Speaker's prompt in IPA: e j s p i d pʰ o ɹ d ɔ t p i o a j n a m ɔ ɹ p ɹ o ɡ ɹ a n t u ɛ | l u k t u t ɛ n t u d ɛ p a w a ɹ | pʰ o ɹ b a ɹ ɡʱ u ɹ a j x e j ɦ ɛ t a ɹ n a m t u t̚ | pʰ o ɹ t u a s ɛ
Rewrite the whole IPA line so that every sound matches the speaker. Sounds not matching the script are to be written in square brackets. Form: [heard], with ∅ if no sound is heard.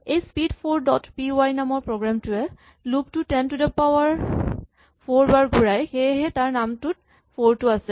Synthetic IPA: e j s p i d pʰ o ɹ d ɔ t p i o a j n a m ɔ ɹ p ɹ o ɡ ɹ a [m] t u ɛ | l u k t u t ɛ n t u d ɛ p a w a ɹ | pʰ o ɹ b a ɹ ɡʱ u ɹ a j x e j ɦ ɛ t a ɹ n a m t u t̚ | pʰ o ɹ t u a s ɛ